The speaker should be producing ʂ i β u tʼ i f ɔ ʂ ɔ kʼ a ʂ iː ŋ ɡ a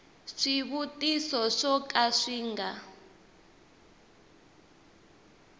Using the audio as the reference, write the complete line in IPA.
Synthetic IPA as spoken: ʂ i β u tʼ i s ɔ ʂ ɔ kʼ a ʂ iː ŋ ɡ a